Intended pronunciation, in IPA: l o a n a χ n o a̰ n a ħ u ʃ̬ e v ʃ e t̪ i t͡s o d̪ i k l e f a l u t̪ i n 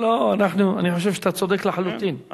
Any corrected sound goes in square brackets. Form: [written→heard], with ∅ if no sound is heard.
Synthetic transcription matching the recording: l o a n a [χ→ħ] n [o→u] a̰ n [a→i] ħ [u→o] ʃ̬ e v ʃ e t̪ [i→a] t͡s o d̪ [i→e] k l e [f→ħ] a l u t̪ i n